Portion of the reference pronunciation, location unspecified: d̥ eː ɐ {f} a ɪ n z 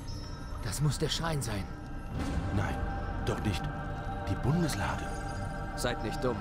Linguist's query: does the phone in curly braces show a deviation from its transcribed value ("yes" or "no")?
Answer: yes